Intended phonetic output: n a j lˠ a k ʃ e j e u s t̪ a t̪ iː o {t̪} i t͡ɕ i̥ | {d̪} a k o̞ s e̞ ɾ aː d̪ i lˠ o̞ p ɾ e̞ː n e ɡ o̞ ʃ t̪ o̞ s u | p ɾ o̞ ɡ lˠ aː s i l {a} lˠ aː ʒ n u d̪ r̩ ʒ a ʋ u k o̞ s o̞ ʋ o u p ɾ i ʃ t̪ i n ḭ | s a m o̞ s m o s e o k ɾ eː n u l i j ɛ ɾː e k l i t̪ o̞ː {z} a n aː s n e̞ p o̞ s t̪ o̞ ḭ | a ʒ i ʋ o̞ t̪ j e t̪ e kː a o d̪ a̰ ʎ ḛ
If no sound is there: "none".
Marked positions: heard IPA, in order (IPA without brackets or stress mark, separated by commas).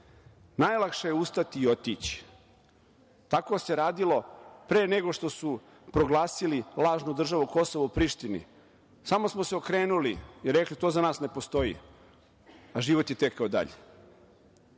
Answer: t̪, t̪, i, z